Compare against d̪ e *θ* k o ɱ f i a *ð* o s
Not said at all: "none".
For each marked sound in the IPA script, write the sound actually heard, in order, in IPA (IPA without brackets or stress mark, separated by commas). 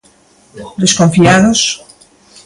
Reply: s, ð